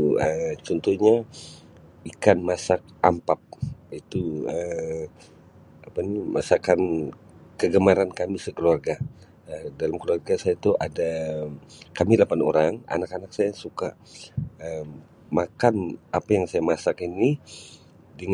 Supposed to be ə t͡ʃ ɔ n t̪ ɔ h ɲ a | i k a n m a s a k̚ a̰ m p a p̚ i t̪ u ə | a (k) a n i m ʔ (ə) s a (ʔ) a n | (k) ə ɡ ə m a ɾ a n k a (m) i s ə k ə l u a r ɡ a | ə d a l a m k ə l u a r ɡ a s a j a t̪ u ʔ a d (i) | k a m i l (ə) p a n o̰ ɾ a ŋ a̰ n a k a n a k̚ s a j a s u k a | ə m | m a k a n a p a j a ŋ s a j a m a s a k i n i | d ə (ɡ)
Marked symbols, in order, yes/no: no, no, no, yes, yes, no, no, no

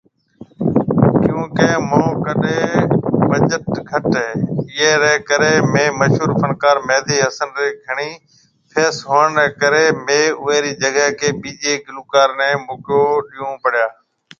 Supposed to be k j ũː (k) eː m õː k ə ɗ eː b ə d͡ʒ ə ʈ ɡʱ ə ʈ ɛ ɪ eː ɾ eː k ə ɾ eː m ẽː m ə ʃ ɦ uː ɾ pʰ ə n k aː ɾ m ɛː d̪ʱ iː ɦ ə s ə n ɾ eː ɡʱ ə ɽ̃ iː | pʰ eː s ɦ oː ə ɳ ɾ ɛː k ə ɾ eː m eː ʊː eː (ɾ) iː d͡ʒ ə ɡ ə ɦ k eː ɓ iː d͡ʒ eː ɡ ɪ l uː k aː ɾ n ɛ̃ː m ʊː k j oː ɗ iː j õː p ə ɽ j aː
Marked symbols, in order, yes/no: yes, yes

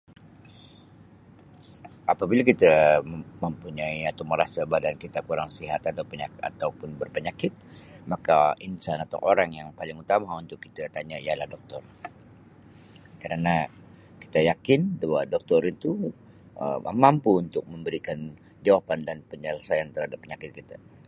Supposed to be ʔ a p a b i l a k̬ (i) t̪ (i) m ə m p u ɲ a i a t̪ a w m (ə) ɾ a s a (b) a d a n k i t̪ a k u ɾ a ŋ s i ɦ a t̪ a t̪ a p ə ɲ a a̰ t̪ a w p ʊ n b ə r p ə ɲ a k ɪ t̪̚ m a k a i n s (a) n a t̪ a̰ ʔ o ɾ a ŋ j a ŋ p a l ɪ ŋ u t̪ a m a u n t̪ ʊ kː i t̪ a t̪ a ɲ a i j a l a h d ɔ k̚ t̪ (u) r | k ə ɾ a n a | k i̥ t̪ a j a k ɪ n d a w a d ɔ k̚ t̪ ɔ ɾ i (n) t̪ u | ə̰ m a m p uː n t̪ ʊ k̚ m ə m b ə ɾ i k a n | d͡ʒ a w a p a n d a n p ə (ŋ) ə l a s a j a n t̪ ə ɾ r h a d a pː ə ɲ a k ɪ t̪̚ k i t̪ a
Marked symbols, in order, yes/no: yes, no, yes, yes, yes, no, yes, no

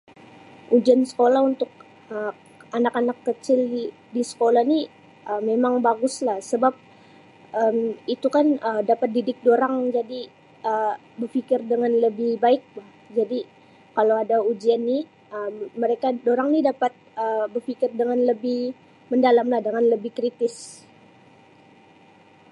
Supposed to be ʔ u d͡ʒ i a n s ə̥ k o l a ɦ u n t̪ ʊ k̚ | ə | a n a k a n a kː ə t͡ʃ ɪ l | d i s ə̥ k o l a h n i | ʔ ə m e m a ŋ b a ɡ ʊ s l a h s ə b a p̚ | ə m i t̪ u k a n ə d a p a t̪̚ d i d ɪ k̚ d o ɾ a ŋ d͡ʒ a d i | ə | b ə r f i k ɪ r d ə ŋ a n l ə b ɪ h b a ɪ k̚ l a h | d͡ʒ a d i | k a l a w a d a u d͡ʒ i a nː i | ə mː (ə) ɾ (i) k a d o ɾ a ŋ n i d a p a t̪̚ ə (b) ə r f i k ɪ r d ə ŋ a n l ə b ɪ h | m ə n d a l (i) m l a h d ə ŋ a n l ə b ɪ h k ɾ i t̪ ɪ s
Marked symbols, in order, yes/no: yes, no, yes, no

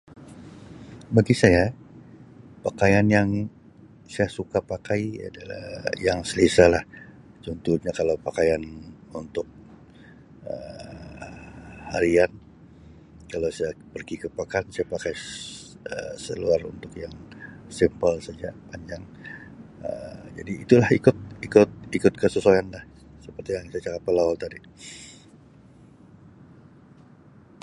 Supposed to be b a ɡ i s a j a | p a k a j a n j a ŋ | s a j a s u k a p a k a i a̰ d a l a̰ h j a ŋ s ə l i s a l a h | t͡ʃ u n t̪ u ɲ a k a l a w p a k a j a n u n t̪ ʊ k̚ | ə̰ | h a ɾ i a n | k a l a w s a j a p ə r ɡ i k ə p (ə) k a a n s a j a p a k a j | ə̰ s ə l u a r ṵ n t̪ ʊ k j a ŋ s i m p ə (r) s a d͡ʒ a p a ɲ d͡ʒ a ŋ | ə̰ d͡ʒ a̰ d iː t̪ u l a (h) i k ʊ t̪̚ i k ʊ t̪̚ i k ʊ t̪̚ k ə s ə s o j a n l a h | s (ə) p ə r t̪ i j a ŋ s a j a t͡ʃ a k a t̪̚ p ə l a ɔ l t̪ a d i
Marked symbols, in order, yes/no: no, no, yes, yes

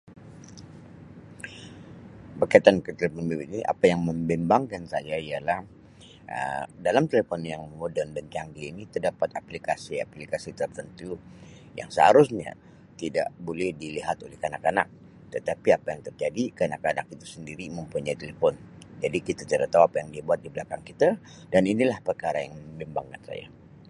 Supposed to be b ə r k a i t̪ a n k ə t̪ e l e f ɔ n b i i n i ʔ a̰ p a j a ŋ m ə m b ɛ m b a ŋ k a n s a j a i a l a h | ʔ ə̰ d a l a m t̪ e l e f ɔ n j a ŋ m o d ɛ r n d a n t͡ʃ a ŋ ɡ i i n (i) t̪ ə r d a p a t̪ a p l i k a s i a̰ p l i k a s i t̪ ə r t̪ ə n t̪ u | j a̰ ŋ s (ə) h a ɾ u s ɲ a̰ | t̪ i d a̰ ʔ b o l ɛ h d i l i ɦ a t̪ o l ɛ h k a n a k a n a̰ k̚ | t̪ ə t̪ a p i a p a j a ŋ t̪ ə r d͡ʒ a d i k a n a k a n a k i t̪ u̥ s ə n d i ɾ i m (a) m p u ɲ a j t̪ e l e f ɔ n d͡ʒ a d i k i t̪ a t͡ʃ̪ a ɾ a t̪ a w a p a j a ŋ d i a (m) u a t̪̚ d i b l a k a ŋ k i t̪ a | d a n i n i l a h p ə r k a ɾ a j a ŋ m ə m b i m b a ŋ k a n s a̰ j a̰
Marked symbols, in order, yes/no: yes, yes, no, no

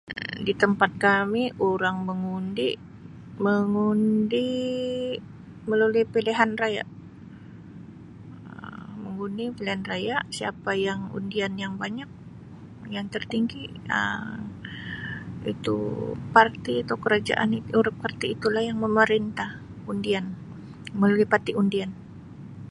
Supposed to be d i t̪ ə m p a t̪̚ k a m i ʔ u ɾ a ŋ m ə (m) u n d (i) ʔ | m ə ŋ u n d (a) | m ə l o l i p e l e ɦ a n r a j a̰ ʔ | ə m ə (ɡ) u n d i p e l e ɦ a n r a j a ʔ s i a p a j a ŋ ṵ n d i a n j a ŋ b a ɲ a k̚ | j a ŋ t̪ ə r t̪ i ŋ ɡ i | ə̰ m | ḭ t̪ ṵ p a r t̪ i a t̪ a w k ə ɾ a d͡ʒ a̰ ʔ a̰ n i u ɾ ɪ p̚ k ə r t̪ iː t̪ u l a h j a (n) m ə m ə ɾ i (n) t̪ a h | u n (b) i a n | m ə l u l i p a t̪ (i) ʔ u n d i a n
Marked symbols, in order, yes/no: no, yes, no, no, no, yes, no, yes

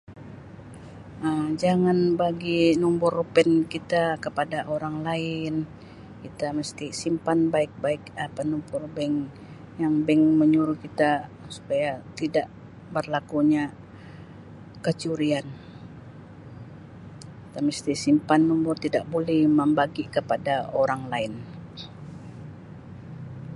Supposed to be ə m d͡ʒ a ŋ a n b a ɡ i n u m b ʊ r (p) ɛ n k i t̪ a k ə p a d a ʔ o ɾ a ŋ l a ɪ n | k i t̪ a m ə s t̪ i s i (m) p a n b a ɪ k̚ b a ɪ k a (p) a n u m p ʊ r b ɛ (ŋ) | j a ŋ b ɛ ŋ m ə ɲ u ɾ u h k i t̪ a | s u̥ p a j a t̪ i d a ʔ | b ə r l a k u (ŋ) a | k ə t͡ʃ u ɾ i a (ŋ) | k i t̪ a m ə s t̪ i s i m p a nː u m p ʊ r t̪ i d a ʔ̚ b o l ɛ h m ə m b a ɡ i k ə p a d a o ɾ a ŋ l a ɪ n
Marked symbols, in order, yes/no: yes, yes, yes, yes, no, no

